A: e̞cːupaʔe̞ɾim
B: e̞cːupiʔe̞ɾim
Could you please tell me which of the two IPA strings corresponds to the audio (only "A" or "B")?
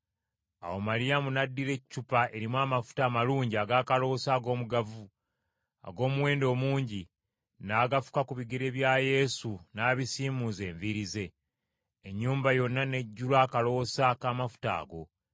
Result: A